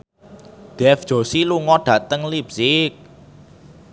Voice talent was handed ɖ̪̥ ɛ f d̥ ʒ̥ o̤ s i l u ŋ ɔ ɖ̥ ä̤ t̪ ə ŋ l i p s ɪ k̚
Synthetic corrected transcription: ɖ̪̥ ɛ f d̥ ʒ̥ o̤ s i l u ŋ ɔ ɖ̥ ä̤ t̪ ə ŋ l i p s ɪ k̚